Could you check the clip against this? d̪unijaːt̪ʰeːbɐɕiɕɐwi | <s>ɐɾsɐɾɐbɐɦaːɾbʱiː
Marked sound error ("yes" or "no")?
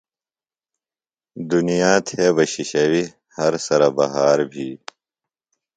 yes